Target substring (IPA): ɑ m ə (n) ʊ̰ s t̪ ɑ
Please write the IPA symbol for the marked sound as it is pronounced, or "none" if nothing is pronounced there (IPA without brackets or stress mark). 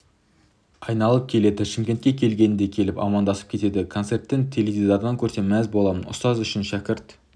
n